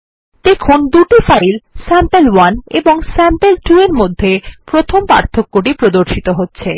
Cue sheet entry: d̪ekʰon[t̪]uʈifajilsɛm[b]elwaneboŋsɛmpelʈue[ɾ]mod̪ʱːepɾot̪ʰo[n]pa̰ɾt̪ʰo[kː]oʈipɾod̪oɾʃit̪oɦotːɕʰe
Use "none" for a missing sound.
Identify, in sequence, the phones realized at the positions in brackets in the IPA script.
d̪, p, ɾ, m, kː

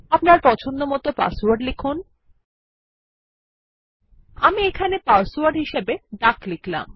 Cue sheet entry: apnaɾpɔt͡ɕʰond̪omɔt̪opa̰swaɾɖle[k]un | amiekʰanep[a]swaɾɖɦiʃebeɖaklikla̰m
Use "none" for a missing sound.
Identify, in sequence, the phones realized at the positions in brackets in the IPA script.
kʰ, a

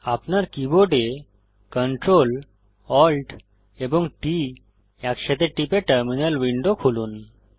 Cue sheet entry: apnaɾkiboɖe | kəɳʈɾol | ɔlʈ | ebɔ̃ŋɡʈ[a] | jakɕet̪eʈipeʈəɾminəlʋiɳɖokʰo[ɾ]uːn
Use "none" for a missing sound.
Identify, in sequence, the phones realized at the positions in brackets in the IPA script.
i, l

